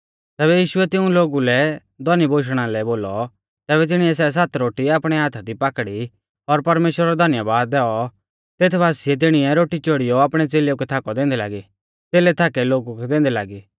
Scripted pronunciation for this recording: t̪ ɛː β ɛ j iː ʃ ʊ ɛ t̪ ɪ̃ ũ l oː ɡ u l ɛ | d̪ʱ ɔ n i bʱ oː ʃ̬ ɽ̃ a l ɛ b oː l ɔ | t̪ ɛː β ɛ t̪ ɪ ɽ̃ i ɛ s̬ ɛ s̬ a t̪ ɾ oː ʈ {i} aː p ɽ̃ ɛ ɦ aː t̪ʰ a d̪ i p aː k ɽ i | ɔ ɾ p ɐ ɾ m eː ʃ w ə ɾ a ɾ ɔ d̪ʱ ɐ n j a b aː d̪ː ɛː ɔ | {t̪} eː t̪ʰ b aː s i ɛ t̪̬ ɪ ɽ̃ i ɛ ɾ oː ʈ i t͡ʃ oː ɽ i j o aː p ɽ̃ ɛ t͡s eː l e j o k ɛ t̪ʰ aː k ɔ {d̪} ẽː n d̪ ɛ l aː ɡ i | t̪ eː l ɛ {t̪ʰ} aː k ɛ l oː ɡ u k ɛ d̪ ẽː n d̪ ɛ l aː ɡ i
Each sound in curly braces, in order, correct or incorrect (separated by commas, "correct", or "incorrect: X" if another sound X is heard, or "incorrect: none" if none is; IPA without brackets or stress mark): correct, correct, correct, correct